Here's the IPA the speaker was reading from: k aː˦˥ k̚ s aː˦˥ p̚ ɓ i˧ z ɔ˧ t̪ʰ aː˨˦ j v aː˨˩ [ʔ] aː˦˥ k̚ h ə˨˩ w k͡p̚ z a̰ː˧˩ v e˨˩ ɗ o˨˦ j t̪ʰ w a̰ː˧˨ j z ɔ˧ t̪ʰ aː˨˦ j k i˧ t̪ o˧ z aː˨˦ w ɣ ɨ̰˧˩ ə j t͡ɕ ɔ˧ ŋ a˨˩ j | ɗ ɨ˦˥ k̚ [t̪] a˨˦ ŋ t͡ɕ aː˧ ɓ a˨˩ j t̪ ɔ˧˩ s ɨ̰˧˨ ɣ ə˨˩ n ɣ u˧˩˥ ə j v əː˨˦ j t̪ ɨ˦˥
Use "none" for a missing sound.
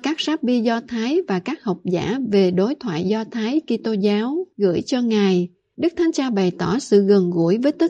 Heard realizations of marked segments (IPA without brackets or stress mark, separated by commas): k, t̪ʰ